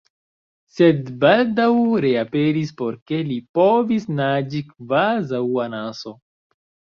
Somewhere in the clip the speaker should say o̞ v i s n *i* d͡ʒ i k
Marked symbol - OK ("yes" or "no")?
no